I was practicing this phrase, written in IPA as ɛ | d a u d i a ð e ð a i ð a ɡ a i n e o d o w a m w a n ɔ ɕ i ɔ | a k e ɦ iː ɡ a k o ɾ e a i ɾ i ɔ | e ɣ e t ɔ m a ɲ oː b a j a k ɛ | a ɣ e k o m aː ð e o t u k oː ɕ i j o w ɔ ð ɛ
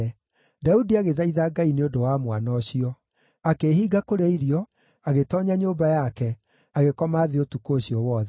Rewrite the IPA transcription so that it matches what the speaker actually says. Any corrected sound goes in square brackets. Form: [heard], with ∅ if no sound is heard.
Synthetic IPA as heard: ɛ | d a u d i a [ɣ] e ð a i ð a ɡ a i n e o d o w a m w a n ɔ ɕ i ɔ | a k e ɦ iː ɡ a k o ɾ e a i ɾ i ɔ | [a] ɣ e t ɔ [ɲ] a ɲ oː b a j a k ɛ | a ɣ e k [ɔ] m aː ð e o t u k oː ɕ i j [ɔ] w ɔ ð ɛ